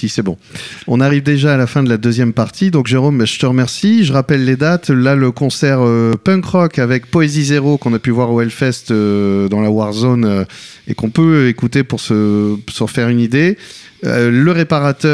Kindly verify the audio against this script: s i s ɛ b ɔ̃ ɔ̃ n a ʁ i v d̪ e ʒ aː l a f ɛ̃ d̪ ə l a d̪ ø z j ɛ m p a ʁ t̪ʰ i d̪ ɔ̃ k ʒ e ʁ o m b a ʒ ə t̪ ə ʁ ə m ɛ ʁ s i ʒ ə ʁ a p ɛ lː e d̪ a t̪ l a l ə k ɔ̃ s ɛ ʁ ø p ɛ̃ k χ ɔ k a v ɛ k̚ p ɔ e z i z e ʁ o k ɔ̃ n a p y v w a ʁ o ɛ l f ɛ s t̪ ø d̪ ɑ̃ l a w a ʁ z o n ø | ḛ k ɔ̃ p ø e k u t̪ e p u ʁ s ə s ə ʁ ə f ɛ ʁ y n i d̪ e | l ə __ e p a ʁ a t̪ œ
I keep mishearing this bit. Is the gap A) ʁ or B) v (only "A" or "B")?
A